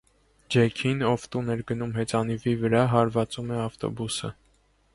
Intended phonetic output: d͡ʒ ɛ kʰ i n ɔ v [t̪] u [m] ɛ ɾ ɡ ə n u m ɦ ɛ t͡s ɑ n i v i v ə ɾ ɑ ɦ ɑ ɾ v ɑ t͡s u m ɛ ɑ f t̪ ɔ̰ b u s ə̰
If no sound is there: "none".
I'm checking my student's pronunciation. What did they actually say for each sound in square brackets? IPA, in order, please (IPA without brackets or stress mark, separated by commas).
t̪, n